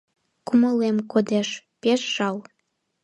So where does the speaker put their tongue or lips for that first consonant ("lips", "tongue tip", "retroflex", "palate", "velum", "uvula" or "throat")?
velum